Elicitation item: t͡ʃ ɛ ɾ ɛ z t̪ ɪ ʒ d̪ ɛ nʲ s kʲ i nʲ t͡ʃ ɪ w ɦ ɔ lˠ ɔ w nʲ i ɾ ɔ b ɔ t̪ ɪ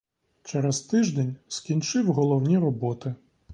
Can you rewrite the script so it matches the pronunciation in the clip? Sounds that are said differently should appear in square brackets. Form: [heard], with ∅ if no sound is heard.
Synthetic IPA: t͡ʃ ɛ ɾ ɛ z t̪ ɪ ʒ d̪ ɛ nʲ s kʲ i nʲ t͡ʃ ɪ w ɦ ɔ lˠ ɔ w nʲ i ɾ ɔ b ɔ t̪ ɪ